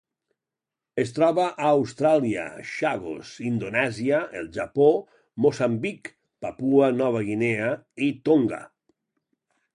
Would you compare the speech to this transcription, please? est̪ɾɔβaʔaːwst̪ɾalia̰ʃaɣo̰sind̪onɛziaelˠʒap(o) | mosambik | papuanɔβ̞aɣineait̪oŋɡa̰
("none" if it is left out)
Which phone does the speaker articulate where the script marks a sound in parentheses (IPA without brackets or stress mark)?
o